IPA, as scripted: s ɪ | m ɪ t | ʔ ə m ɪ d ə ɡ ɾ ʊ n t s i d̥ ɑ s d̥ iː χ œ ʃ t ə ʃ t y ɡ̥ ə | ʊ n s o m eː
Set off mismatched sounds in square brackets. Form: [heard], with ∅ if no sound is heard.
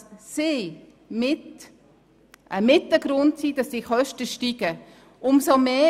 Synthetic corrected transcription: s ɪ | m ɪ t | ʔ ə m ɪ [t] ə ɡ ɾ ʊ n t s i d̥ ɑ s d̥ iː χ œ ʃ t ə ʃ t [i] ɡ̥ ə | ʊ [m] s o m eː